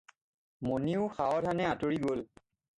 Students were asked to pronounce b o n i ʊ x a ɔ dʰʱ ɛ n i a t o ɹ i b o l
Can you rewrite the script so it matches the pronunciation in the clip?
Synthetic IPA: m o n i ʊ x a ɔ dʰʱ a n ɛ a t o ɹ i ɡ o l